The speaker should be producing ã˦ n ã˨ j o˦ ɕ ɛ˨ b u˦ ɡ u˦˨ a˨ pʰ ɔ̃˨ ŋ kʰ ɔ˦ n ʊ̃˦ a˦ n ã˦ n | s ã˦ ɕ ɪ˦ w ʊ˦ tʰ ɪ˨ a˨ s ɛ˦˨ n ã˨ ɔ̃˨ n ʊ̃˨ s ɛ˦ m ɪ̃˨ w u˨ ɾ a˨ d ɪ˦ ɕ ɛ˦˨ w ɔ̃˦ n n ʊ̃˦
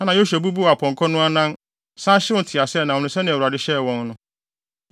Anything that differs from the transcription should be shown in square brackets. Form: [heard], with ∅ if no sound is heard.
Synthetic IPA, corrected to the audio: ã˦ n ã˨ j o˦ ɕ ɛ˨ b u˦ [b] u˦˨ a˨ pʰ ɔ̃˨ ŋ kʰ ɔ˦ n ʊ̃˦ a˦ n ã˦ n | s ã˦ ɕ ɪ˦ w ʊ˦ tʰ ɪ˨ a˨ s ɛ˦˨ n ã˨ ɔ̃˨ n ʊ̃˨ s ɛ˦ [n] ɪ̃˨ w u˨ ɾ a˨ d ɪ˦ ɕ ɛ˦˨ w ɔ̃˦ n n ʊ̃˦